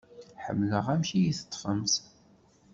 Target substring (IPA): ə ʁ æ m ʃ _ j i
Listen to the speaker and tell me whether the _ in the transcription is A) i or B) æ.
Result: A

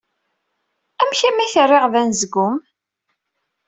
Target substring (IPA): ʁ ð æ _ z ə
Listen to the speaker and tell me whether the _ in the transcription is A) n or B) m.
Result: A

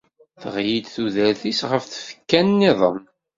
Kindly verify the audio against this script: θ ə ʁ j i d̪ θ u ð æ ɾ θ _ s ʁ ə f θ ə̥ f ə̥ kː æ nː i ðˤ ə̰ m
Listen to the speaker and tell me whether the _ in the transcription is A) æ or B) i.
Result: B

